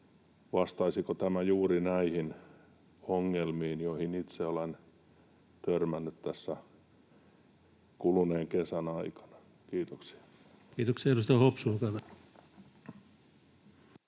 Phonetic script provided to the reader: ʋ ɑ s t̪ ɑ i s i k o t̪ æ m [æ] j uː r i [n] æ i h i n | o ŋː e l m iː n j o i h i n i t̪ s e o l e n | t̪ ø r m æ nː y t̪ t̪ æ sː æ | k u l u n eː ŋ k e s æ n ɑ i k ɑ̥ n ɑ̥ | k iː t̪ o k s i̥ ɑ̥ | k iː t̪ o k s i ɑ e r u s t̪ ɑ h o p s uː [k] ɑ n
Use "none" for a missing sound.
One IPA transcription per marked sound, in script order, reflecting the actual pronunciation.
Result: æ, n, k

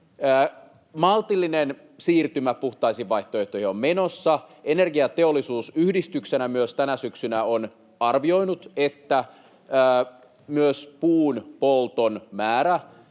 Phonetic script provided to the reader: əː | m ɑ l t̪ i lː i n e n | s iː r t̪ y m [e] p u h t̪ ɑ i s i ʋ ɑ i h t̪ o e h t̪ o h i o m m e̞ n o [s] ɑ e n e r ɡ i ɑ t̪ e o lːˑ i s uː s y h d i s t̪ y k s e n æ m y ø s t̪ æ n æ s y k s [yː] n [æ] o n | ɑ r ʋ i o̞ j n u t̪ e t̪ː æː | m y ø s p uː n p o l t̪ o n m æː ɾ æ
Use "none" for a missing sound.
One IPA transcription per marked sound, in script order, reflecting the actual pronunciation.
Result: æ, sː, y, æ

